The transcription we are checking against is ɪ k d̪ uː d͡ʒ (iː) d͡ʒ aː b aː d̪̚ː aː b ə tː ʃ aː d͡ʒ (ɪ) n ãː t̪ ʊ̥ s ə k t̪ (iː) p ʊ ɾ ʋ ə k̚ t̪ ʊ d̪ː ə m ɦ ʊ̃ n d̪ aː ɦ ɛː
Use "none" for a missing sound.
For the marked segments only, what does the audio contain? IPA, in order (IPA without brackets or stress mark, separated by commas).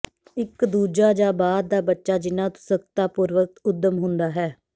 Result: aː, ɪ, aː